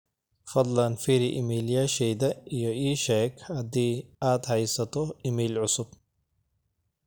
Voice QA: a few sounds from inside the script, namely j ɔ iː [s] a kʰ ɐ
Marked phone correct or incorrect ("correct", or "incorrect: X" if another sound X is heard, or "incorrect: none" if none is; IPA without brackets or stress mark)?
incorrect: ʃ